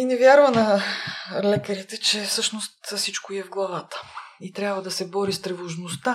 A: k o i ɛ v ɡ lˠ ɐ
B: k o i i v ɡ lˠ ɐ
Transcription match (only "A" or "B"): A